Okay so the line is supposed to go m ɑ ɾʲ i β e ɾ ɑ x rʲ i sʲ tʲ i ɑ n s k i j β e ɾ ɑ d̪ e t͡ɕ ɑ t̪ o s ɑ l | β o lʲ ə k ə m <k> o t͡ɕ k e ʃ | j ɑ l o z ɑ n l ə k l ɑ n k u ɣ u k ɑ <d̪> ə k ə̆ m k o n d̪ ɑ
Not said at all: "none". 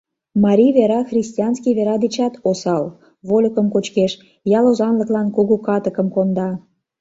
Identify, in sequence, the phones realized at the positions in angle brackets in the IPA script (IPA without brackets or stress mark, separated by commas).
k, t̪